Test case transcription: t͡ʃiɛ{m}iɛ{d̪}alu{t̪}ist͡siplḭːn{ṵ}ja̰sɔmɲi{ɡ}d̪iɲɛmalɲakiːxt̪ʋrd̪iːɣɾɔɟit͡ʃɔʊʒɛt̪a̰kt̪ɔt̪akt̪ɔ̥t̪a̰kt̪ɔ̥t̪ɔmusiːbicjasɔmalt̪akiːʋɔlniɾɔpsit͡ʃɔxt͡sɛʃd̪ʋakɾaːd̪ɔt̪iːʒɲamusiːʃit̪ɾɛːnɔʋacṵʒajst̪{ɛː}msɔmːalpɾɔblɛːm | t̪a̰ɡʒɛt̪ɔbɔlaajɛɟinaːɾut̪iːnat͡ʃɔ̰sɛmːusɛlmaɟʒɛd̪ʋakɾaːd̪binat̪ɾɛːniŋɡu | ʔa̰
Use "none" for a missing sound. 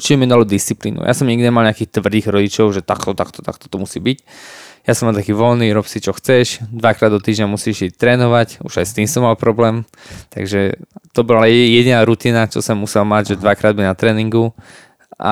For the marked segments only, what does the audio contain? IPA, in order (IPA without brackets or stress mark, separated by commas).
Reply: m, d̪, d̪, ṵ, ɡ, iː